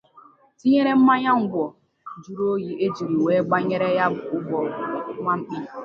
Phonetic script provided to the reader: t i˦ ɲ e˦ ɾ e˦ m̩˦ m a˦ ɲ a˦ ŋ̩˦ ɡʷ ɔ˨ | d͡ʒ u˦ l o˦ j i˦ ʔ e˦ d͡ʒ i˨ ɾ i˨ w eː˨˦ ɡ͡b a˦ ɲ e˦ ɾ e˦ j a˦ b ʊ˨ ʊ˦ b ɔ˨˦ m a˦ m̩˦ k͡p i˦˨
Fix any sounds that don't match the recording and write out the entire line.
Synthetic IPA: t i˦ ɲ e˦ ɾ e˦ m̩˦ m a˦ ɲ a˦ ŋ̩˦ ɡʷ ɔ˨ | d͡ʒ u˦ ɾ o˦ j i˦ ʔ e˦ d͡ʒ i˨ ɾ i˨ w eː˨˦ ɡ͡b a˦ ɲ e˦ ɾ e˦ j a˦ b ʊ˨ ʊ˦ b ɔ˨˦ m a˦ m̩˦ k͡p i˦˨

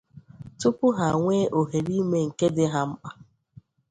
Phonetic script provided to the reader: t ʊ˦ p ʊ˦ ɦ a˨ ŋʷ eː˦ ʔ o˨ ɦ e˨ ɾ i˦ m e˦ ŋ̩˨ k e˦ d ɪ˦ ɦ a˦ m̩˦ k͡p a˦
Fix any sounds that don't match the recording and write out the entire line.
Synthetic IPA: t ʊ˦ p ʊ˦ ɦ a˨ ŋʷ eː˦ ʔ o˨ ɦ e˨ ɾ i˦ m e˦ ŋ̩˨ k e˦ d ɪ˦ ɦ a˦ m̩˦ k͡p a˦

